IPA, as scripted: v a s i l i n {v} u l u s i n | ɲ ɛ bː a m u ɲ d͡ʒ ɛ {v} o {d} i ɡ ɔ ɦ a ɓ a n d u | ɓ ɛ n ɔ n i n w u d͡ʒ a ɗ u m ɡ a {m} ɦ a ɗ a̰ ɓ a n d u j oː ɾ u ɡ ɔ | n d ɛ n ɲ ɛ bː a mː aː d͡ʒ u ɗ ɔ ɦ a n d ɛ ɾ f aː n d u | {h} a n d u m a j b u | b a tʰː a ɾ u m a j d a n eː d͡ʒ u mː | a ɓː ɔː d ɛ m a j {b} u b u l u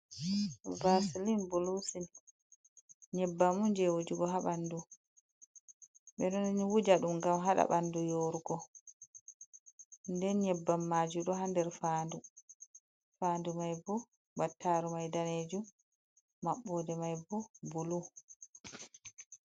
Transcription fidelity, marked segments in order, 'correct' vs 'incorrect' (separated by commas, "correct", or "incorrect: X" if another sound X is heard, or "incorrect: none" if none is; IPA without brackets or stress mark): incorrect: b, incorrect: w, incorrect: d͡ʒ, correct, incorrect: f, correct